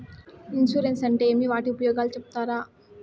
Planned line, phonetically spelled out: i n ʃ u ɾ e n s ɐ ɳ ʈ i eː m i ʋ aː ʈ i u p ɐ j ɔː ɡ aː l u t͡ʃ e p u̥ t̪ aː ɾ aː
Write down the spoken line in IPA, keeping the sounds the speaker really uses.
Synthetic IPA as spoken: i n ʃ u ɾ e n s ɐ ɳ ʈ e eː m i ʋ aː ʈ i u p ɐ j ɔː ɡ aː l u t͡ʃ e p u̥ t̪ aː ɾ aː